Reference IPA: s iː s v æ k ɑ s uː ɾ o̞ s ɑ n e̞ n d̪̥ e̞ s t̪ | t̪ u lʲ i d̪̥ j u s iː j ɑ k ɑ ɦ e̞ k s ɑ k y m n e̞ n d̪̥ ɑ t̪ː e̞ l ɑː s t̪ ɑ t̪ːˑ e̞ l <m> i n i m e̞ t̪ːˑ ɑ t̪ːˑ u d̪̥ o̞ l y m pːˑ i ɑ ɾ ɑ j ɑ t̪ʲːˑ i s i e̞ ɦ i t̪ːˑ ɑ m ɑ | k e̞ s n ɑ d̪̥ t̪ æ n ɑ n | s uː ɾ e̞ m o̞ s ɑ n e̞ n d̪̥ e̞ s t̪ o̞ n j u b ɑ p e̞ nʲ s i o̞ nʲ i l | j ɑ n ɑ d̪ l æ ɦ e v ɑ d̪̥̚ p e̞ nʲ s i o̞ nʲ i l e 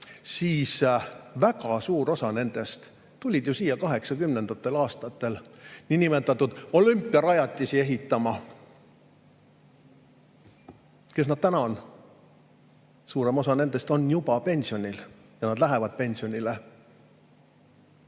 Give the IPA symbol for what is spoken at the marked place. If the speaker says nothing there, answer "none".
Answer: n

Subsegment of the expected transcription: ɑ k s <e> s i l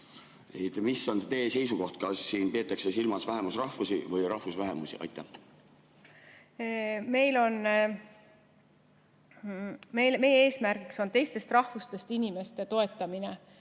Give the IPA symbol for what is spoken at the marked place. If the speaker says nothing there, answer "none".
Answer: e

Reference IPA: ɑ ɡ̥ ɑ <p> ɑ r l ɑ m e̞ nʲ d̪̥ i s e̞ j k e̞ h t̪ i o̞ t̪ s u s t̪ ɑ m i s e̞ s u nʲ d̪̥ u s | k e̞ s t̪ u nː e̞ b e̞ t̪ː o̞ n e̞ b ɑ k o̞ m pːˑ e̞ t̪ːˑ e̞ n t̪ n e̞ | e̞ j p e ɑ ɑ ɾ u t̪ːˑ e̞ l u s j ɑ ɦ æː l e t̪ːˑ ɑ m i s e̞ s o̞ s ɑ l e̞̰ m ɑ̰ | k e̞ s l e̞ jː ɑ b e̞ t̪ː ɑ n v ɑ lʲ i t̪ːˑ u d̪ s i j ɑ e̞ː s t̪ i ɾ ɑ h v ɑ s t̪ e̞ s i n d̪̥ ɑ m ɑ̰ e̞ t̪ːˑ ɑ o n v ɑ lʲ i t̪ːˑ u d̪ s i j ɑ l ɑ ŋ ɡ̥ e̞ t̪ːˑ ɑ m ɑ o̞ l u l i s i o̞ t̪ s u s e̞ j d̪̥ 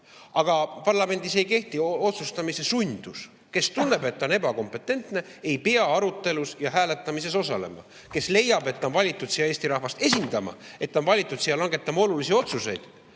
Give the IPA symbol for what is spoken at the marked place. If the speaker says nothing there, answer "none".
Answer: p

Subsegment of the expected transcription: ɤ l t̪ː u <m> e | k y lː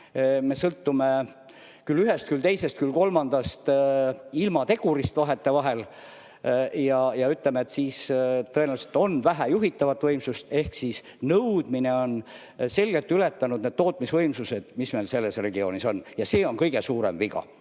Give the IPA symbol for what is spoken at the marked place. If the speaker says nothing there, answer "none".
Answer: m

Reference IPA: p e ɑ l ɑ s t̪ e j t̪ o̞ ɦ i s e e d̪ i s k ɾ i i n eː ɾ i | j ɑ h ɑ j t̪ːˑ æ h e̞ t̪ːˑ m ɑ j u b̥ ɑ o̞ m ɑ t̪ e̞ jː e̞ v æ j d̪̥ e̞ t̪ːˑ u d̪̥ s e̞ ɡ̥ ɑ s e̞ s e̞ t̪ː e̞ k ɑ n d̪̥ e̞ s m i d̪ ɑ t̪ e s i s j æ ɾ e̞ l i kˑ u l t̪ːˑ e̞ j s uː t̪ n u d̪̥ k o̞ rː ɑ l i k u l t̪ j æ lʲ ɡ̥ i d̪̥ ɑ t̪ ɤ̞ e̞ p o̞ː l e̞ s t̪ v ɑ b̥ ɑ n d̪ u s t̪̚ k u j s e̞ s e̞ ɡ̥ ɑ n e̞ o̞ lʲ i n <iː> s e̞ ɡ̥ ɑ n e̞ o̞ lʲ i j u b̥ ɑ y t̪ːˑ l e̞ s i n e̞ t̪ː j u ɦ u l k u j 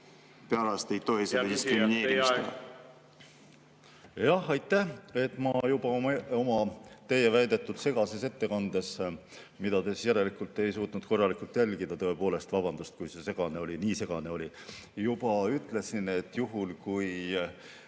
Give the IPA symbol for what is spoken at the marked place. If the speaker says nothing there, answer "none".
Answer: iː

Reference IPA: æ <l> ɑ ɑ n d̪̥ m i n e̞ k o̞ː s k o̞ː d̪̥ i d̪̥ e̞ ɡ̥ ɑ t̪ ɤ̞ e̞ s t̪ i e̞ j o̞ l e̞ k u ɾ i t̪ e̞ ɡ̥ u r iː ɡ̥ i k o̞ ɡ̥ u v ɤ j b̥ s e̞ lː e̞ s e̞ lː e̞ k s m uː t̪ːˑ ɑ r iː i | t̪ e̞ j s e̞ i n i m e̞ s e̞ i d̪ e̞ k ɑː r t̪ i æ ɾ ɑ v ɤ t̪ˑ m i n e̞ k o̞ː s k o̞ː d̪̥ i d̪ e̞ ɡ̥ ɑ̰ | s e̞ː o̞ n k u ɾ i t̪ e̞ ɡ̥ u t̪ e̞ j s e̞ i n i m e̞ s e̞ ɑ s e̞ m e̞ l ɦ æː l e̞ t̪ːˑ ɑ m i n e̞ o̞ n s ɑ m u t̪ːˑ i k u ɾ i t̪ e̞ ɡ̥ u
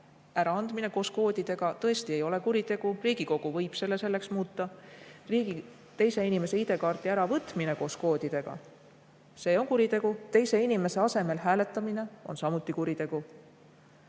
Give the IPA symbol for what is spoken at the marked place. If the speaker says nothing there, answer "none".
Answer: ɾ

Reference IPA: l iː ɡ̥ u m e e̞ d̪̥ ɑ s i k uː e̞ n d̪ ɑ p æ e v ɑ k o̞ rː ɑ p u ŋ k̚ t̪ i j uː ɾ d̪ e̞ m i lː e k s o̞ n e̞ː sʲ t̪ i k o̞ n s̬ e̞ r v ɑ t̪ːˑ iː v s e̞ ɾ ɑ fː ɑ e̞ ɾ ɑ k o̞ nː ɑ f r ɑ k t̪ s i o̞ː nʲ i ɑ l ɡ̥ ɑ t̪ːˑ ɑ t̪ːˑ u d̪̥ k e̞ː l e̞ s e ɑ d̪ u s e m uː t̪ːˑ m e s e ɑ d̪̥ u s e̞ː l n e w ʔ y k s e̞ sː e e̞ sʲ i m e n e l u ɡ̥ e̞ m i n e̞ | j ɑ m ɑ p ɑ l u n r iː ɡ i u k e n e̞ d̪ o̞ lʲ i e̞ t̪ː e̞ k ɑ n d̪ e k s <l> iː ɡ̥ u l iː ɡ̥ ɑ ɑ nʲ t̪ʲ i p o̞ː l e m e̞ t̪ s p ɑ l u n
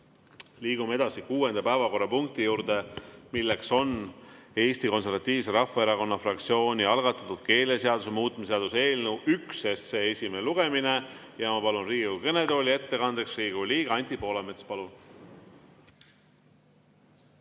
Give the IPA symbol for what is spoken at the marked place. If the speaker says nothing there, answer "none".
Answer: r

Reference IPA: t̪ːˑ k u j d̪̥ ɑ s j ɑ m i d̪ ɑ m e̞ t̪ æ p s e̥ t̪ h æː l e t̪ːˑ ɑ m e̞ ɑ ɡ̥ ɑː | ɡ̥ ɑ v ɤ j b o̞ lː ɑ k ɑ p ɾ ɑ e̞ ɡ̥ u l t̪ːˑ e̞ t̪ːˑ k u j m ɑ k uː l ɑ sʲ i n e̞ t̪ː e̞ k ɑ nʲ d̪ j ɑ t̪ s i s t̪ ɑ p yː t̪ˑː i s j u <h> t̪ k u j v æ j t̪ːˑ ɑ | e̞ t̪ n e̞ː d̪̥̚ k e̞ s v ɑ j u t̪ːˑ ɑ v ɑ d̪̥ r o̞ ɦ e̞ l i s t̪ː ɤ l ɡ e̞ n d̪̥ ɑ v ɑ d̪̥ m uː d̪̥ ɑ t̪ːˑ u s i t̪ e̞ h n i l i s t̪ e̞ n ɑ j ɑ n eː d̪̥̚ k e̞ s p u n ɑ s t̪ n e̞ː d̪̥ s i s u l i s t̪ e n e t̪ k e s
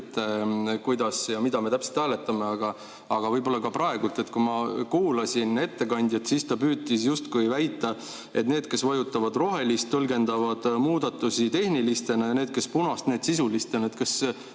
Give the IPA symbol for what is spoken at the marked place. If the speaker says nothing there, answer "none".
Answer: s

